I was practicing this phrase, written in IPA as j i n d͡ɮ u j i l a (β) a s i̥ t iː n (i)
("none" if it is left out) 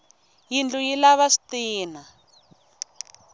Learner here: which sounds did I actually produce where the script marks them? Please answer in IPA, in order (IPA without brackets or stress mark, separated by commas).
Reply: β, a